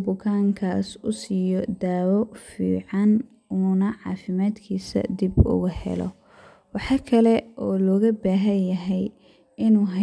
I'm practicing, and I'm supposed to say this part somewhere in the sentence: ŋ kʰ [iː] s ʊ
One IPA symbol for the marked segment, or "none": aː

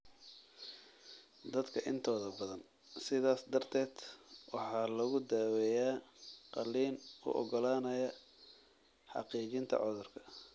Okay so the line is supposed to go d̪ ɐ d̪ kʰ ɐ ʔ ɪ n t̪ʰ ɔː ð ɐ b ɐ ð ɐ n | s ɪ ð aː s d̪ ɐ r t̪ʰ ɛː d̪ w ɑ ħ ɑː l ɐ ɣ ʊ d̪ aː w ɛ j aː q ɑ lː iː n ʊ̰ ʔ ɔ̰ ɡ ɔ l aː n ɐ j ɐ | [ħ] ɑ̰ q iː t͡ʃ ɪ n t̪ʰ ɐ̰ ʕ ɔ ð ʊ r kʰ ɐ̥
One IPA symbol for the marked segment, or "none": ħ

